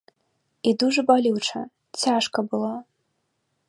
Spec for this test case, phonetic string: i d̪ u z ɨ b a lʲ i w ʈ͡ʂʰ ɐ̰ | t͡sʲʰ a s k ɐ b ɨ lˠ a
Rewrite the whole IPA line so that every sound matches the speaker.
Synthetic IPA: i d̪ u ʐ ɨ b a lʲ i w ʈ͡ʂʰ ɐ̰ | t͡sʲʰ a ʂ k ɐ b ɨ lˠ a